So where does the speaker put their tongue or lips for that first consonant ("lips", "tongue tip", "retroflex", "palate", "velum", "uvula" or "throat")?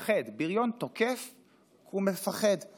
uvula